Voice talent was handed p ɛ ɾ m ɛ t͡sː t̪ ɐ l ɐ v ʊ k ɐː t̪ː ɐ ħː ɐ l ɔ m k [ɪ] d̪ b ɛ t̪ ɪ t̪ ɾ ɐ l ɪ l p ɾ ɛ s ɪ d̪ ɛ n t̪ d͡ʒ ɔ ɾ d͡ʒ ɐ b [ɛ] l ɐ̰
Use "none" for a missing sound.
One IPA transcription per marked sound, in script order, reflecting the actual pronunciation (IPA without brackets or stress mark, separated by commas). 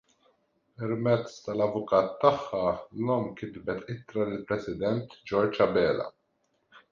ɪ, ɛː